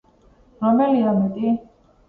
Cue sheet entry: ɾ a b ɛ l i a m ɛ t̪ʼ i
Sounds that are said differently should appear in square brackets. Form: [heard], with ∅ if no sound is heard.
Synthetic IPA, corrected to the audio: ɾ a [m] ɛ l i a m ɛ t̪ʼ i